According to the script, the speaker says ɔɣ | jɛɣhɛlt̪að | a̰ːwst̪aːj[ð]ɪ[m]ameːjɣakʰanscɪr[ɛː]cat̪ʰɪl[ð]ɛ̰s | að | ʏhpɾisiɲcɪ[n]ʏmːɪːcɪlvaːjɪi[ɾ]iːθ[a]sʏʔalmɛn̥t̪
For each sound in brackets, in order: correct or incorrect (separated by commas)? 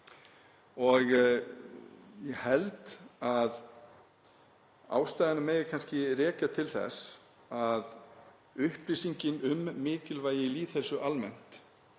correct, incorrect, correct, incorrect, correct, incorrect, incorrect